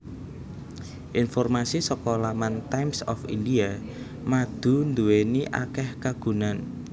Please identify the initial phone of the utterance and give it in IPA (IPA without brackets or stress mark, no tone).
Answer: ʔ